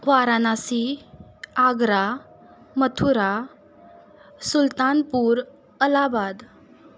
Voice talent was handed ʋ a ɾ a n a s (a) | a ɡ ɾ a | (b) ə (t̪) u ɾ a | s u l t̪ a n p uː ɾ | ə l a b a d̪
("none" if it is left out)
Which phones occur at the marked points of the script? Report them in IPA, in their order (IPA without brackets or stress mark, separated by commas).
i, m, t̪ʰ